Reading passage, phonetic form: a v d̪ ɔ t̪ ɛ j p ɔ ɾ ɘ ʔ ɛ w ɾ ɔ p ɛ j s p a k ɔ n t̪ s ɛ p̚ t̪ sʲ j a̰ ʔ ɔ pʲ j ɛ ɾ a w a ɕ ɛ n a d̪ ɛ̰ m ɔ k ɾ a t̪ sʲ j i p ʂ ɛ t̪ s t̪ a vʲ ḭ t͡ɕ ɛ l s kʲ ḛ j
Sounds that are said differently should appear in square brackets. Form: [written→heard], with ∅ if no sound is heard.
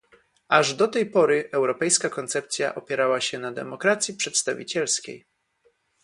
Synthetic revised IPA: a [v→ʐ] d̪ ɔ t̪ ɛ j p ɔ ɾ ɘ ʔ ɛ w ɾ ɔ p ɛ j s [p→k] a k ɔ n t̪ s ɛ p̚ t̪ sʲ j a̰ ʔ ɔ pʲ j ɛ ɾ a w a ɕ ɛ n a d̪ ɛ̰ m ɔ k ɾ a t̪ sʲ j i p ʂ ɛ t̪ s t̪ a vʲ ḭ t͡ɕ ɛ l s kʲ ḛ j